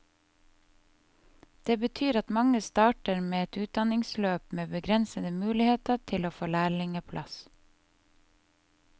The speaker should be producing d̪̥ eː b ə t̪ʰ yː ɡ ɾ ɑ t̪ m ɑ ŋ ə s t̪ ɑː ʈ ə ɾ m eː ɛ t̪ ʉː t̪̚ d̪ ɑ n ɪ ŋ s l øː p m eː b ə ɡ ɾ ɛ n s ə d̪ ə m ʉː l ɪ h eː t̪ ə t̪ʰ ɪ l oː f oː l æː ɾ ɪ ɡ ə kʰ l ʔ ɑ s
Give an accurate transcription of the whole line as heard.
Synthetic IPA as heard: d̪̥ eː b ə t̪ʰ yː ɾ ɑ t̪ m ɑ ŋ ə s t̪ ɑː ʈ ə ɾ m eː ɛ t̪ ʉː t̪̚ d̪ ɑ n ɪ ŋ s l øː p m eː b ə ɡ ɾ ɛ n s ə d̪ ə m ʉː l ɪ h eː t̪ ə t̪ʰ ɪ l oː f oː l æː ɭ ɪ ŋ ə pʰ l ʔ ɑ s